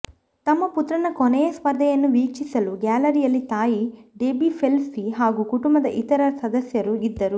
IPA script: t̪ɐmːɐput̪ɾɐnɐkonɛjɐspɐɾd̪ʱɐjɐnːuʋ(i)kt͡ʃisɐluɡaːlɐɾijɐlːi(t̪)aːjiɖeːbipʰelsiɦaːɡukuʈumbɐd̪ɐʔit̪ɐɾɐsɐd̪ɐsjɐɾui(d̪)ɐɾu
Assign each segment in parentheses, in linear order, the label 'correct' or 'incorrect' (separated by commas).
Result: incorrect, correct, incorrect